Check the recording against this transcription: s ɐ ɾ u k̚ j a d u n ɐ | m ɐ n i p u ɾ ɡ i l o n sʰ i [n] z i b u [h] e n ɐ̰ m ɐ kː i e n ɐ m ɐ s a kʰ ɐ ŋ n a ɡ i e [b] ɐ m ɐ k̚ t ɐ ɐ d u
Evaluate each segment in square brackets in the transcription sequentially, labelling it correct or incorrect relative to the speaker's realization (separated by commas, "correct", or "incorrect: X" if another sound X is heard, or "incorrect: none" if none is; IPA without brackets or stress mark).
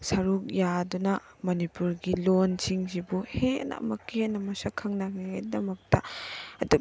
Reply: incorrect: ŋ, correct, incorrect: d